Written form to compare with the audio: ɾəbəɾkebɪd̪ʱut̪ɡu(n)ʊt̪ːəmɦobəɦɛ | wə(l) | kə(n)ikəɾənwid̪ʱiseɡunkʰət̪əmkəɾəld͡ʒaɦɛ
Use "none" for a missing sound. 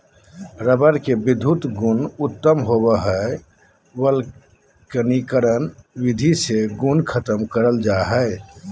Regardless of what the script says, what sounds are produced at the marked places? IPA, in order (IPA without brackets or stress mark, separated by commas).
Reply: n, l, n